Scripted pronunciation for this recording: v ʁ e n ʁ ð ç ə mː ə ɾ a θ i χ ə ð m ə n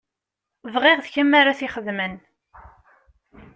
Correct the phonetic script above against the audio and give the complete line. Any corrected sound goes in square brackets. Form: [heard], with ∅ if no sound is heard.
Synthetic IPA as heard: v ʁ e [∅] ʁ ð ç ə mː [a] ɾ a θ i χ ə ð m ə n